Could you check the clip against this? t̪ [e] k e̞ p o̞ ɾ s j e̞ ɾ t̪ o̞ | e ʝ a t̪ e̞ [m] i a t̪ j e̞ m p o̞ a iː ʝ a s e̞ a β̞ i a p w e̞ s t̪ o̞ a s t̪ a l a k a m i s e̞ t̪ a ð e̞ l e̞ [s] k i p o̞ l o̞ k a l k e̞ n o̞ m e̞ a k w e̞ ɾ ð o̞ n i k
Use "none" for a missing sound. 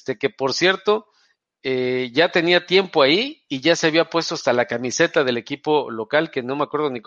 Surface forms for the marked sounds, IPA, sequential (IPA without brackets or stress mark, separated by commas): e, n, none